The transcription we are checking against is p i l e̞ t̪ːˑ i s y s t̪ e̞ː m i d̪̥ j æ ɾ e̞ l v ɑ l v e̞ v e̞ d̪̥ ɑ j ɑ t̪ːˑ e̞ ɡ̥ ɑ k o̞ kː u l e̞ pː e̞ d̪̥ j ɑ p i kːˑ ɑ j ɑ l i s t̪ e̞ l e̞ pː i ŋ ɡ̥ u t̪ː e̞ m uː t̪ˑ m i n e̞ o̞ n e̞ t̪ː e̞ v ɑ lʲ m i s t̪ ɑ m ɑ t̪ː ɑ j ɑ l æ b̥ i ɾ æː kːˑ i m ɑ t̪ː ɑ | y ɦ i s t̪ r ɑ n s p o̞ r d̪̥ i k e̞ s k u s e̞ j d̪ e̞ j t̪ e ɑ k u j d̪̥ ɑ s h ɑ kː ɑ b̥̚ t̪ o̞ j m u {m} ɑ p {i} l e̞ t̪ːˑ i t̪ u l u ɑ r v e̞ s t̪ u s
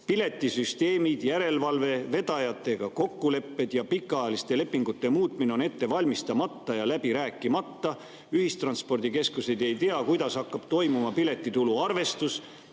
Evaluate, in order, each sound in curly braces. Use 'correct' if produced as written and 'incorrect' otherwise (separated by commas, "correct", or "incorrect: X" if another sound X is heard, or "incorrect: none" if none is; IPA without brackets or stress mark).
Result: correct, correct